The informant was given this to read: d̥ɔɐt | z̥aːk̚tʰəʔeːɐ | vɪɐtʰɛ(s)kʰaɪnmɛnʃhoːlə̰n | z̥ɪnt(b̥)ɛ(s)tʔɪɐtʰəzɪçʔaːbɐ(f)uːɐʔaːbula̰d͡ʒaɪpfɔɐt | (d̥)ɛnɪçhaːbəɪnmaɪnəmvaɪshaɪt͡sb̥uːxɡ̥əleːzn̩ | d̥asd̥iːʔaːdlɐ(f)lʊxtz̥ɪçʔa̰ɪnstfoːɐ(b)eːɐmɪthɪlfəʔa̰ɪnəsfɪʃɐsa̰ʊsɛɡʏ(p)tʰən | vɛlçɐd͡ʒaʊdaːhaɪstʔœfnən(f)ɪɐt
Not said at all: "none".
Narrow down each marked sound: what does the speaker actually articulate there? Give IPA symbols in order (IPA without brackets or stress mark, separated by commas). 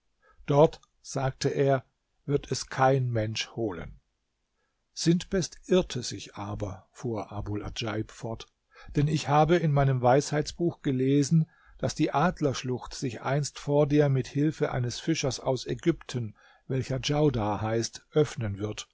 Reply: s, b̥, s, f, d̥, ʃ, d, p, v